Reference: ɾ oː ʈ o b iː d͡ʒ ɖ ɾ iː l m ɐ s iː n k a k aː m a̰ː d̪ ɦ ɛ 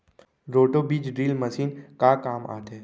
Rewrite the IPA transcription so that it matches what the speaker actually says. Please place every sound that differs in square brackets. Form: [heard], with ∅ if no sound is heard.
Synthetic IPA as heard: ɾ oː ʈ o b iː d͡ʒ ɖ ɾ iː l m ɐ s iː n k a k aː m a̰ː [t̪] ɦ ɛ